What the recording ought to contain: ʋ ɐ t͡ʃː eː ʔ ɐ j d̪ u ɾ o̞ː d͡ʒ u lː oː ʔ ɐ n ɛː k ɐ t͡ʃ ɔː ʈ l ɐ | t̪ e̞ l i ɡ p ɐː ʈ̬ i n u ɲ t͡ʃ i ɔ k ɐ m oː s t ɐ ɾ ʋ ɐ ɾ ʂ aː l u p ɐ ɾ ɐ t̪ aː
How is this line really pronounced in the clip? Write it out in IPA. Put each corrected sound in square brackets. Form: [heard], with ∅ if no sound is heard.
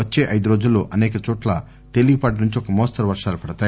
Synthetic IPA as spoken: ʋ ɐ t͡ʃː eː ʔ ɐ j d̪ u ɾ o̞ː d͡ʒ u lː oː ʔ ɐ n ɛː k ɐ t͡ʃ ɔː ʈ l ɐ | t̪ e̞ l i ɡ p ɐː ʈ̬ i n u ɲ t͡ʃ i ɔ k ɐ m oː s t ɐ ɾ ʋ ɐ ɾ ʂ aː l u p ɐ [ɽ] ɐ t̪ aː